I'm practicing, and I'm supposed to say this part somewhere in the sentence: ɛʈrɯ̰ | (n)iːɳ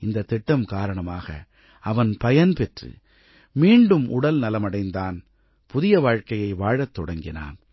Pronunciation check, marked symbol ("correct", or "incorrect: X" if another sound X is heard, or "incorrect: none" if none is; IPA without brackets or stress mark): incorrect: m